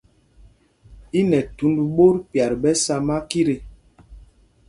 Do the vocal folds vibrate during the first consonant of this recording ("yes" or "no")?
yes